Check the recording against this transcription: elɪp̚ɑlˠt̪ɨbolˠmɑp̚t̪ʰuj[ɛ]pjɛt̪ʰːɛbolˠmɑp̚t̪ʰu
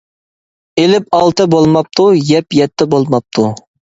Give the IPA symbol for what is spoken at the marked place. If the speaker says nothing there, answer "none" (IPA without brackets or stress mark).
ɛ